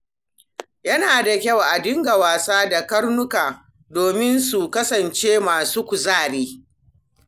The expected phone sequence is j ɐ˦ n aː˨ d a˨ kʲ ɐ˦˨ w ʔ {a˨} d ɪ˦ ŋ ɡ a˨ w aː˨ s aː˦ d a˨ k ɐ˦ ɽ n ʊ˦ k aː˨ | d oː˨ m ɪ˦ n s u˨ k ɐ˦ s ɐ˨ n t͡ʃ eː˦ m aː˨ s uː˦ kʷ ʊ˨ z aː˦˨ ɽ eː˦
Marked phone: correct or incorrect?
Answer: correct